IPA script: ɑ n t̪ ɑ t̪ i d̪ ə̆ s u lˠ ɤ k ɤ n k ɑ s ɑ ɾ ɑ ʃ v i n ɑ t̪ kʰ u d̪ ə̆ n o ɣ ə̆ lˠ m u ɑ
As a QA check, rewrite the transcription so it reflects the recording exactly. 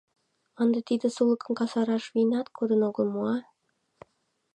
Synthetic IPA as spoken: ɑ n d̪ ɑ t̪ i d̪ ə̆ s u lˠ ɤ k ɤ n k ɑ s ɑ ɾ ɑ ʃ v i n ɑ t̪ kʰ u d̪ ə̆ n o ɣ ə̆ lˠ m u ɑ